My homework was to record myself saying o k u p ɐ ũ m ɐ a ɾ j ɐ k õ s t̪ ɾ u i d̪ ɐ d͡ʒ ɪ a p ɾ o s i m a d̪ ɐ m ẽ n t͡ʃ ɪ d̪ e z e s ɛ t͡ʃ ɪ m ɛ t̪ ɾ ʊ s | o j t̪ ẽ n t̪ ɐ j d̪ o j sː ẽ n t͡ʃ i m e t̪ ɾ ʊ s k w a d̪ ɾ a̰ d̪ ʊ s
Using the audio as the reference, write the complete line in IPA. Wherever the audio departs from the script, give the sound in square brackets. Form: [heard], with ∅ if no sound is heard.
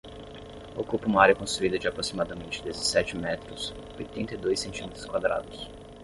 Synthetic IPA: o k u p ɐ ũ m ɐ a ɾ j ɐ k õ s t̪ ɾ u i d̪ ɐ d͡ʒ ɪ a p ɾ o s i m a d̪ ɐ m ẽ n t͡ʃ ɪ d̪ e z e s ɛ t͡ʃ ɪ m ɛ t̪ ɾ ʊ s | o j t̪ ẽ n t̪ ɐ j d̪ o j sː ẽ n t͡ʃ i m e t̪ ɾ ʊ s k w a d̪ ɾ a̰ d̪ ʊ s